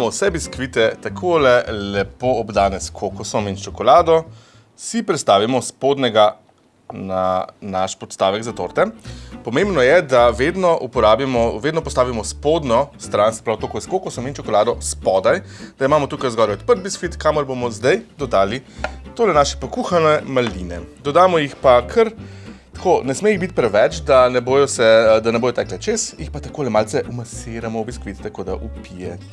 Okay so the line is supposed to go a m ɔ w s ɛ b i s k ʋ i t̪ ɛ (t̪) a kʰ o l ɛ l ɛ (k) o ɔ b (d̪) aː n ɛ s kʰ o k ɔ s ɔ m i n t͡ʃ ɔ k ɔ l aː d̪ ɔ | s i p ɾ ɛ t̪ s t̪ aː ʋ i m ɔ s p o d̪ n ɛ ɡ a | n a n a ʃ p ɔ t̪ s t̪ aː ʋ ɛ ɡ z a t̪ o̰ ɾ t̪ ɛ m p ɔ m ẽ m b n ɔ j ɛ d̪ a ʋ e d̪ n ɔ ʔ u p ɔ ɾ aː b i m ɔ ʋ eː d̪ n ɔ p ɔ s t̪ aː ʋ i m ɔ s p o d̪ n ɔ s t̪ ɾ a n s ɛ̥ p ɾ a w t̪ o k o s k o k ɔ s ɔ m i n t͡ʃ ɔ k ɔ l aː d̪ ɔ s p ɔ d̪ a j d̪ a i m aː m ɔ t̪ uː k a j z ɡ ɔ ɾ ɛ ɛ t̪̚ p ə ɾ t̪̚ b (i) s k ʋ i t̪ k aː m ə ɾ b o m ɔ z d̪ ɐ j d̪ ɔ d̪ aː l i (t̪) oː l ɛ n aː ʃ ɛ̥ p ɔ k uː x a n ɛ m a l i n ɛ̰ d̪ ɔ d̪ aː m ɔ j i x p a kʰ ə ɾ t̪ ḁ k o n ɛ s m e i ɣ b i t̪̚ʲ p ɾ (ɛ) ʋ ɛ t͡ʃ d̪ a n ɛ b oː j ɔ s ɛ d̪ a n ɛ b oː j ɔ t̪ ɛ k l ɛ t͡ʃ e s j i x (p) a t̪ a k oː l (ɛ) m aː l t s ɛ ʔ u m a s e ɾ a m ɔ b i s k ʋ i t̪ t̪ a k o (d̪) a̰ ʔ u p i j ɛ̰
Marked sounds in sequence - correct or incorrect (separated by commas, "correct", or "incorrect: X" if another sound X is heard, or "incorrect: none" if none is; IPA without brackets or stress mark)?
correct, incorrect: p, correct, correct, correct, correct, correct, correct, correct